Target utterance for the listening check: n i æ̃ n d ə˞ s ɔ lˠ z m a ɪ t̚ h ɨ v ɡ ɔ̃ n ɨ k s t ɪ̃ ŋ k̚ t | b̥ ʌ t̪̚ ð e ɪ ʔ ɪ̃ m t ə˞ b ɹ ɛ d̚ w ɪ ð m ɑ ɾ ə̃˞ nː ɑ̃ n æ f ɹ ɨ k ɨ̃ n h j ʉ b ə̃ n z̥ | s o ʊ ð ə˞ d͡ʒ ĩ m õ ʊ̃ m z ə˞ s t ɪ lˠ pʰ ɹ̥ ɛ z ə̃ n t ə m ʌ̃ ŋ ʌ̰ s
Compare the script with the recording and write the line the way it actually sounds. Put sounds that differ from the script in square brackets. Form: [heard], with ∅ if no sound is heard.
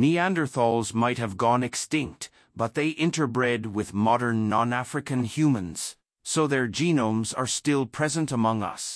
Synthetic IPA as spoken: n i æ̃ n d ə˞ [θ] ɔ lˠ z m a ɪ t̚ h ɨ v ɡ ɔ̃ n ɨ k s t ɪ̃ ŋ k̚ t | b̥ ʌ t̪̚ ð e ɪ ʔ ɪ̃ [n] t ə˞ b ɹ ɛ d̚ w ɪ ð m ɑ ɾ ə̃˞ nː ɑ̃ n æ f ɹ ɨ k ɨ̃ n h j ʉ [m] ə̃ n z̥ | s o ʊ ð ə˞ d͡ʒ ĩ [n] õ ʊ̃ m z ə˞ s t ɪ lˠ pʰ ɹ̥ ɛ z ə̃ n t ə m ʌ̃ ŋ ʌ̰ s

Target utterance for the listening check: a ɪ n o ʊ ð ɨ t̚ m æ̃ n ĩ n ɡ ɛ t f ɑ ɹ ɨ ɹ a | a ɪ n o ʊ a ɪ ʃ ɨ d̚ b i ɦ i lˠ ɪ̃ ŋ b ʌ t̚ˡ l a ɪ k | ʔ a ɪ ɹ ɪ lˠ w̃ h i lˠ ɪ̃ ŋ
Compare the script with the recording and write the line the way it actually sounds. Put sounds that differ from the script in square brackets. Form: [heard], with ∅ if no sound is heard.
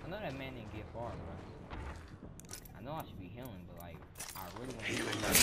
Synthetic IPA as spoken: a ɪ n o ʊ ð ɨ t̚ m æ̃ n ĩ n ɡ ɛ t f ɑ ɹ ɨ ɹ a | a ɪ n o ʊ a ɪ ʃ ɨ d̚ b i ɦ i lˠ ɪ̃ ŋ b ʌ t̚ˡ l a ɪ k | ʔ a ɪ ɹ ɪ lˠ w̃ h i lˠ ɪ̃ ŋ

